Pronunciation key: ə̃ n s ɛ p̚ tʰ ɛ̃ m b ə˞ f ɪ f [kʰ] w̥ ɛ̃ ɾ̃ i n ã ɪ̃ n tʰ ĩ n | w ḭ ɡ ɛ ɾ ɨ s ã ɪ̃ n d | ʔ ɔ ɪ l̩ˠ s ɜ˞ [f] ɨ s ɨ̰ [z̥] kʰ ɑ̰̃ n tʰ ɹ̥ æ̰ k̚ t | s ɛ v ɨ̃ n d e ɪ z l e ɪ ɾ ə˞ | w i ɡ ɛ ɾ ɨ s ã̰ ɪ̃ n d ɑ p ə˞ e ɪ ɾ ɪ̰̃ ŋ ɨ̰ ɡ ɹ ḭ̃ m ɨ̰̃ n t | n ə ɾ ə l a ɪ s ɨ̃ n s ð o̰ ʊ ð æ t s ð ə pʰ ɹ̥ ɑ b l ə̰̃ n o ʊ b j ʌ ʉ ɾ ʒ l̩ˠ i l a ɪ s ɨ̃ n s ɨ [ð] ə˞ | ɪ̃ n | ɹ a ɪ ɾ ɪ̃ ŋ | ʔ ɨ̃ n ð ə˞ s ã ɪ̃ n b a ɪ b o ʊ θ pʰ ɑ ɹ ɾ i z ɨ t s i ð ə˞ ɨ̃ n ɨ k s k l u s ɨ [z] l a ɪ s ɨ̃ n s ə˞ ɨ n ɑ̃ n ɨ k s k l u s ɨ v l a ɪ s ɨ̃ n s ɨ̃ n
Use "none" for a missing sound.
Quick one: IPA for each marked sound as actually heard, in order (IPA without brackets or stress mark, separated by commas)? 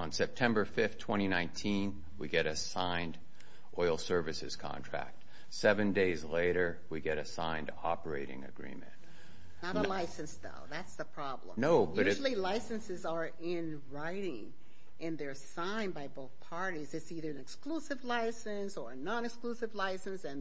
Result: tʰ, v, z̥, z, v